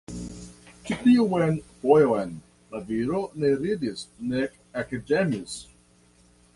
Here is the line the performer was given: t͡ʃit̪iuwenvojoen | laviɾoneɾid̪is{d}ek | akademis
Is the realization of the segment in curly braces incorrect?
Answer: yes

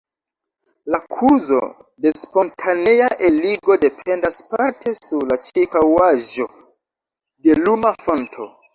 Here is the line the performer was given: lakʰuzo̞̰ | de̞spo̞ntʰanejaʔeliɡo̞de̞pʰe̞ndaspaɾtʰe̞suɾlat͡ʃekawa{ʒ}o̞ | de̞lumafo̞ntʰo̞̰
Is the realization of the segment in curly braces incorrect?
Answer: no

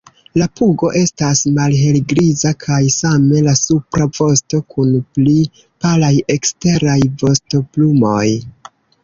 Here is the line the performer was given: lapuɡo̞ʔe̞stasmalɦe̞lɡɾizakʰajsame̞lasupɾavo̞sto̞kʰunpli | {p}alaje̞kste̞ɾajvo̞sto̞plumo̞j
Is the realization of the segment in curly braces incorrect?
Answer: no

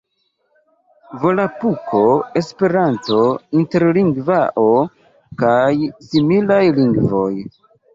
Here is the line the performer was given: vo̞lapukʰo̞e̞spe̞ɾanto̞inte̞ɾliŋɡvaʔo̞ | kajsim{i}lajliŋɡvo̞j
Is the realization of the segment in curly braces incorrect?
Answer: no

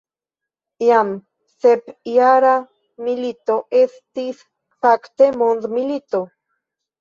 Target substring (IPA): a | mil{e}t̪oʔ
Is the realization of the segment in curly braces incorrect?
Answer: yes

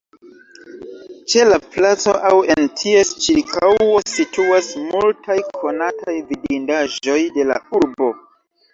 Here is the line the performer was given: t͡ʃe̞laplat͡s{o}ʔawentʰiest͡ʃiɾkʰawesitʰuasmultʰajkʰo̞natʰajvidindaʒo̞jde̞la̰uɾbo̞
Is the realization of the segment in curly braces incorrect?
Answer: no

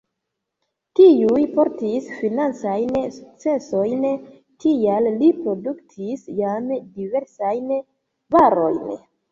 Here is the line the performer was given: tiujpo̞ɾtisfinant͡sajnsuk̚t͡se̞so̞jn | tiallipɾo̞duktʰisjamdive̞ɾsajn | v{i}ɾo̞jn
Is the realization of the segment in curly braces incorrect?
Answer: yes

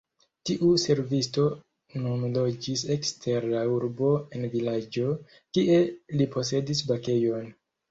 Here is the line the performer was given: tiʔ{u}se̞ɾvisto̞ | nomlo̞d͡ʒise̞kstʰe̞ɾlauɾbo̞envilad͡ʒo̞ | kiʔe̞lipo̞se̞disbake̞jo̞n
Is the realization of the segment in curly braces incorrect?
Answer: no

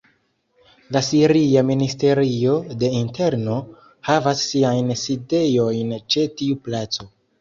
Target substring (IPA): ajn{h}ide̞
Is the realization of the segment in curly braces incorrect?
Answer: yes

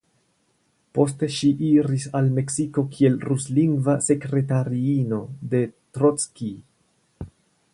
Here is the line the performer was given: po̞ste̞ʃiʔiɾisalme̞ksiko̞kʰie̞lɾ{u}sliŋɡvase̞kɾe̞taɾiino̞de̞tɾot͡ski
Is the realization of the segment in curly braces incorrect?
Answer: no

